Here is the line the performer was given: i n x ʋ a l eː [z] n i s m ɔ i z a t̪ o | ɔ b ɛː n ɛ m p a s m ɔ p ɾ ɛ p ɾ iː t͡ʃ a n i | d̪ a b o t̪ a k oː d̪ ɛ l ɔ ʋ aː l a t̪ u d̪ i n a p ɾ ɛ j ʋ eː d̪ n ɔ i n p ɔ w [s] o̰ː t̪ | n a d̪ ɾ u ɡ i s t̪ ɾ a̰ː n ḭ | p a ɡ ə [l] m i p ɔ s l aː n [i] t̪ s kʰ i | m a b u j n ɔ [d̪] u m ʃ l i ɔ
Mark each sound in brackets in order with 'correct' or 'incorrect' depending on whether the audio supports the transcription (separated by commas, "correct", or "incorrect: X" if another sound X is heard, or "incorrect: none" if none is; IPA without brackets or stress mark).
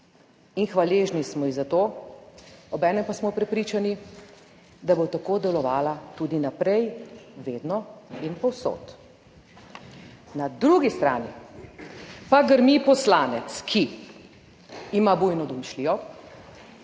incorrect: ʒ, correct, incorrect: ɾ, incorrect: ɛ, correct